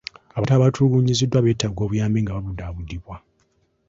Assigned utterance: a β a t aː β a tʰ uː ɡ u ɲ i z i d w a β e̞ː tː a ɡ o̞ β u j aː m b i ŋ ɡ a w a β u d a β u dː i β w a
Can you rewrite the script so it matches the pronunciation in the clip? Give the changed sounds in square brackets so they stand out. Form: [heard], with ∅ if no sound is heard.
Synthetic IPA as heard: a β a t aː β a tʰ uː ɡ u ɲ i z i d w a β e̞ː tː a ɡ o̞ β u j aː m b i ŋ ɡ a [β] a β u d a β u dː i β w a